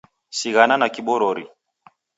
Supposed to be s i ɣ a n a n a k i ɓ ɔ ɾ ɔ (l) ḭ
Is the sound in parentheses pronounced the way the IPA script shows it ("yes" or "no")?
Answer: no